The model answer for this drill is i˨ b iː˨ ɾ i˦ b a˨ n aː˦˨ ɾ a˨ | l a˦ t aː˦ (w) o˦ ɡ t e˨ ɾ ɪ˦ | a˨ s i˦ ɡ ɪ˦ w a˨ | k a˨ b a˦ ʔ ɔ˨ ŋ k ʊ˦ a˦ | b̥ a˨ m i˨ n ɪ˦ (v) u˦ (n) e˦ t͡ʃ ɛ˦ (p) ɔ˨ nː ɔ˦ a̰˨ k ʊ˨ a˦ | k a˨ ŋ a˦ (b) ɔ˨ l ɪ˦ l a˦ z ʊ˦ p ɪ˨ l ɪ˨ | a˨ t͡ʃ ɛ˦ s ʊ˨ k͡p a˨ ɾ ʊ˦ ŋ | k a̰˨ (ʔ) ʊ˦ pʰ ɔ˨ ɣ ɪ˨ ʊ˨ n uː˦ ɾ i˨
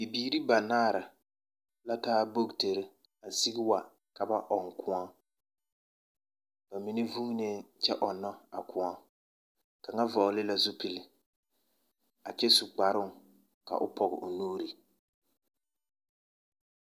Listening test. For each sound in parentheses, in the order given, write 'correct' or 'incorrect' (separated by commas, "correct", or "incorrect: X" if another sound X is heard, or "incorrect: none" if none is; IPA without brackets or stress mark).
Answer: incorrect: b, correct, correct, incorrect: ʔ, incorrect: v, correct